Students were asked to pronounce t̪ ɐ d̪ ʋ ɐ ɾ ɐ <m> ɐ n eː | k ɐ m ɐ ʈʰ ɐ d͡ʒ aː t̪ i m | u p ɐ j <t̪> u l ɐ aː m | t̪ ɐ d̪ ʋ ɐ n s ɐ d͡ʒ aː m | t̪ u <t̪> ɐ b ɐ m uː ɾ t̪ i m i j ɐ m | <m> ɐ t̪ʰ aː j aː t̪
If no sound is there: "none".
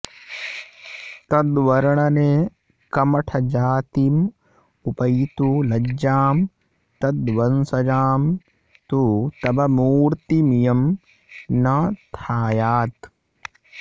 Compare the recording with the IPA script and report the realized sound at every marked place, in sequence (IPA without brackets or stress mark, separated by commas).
ɳ, t̪, t̪, n